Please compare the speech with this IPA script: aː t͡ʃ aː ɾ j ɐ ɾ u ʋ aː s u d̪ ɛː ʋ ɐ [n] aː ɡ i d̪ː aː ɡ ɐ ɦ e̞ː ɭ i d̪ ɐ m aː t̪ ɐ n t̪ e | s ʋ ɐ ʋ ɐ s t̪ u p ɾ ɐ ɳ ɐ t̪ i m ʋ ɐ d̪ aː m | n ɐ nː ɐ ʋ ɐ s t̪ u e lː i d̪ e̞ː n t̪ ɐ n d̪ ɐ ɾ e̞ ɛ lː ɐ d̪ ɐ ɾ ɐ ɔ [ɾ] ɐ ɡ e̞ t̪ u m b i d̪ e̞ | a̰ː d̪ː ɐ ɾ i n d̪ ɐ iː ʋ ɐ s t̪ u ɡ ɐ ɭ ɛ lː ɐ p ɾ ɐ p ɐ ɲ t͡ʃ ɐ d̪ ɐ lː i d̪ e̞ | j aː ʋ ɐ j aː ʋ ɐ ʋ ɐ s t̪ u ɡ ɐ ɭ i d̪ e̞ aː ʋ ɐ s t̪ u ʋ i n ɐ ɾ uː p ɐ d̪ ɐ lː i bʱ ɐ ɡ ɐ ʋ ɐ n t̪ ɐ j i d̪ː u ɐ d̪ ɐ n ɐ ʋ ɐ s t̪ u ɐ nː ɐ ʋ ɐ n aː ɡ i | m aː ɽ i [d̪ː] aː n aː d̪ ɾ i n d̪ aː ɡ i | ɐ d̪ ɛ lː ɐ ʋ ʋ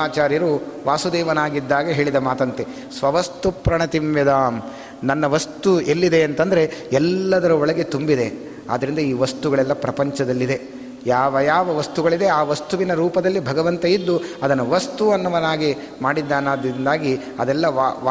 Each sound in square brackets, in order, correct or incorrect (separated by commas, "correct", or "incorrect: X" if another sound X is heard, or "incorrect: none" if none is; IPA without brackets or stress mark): correct, incorrect: ɭ, correct